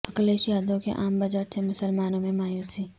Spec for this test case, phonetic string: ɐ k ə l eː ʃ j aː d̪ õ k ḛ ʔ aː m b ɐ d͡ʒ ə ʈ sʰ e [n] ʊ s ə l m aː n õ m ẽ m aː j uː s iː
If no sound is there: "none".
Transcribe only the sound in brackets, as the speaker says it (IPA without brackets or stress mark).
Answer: m